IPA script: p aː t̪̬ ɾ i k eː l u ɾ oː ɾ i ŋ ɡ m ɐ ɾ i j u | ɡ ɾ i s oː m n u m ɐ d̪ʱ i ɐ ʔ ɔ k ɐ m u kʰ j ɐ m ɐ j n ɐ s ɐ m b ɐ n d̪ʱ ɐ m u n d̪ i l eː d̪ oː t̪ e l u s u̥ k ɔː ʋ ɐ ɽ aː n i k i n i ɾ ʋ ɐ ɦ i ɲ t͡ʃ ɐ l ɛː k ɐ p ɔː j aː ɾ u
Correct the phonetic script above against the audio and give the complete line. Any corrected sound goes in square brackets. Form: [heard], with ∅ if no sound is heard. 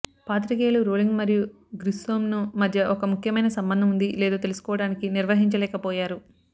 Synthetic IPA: p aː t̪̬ ɾ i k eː l u ɾ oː [l] i ŋ ɡ m ɐ ɾ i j u | ɡ ɾ i s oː m n u m ɐ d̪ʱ [j] ɐ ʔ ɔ k ɐ m u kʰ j ɐ m ɐ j n ɐ s ɐ m b ɐ n d̪ʱ ɐ m u n d̪ i l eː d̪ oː t̪ e l u s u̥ k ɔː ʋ ɐ ɽ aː n i k i n i ɾ ʋ ɐ ɦ i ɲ t͡ʃ ɐ l ɛː k ɐ p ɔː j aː ɾ u